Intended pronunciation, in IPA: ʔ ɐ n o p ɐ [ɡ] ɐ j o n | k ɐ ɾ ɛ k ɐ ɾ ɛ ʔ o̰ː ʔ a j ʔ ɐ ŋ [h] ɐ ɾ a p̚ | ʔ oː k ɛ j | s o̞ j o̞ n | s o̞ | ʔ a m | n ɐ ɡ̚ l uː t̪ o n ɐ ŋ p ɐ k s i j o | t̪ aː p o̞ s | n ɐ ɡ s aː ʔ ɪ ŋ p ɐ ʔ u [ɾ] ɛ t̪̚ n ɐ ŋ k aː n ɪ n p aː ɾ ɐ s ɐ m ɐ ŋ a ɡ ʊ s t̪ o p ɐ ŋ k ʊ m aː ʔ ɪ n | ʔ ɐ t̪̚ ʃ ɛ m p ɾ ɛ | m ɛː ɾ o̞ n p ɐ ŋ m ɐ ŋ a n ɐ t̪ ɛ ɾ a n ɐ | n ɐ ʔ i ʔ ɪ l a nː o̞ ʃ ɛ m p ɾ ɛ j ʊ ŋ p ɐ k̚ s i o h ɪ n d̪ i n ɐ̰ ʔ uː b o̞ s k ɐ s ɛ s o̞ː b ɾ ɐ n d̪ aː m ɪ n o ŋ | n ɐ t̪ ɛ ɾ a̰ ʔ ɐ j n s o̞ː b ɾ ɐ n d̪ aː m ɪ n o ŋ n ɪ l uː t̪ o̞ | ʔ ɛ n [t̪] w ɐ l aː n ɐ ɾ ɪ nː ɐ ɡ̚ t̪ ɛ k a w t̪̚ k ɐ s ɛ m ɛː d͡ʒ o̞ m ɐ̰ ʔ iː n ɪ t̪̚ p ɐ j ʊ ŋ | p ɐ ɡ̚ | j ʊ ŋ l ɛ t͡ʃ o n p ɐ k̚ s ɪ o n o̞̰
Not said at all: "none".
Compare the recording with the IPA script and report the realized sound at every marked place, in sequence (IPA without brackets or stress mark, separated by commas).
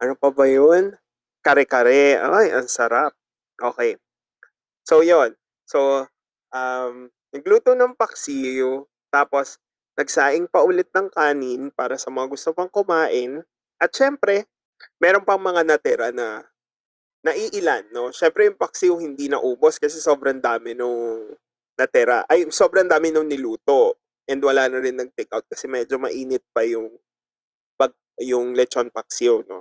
b, s, l, d̪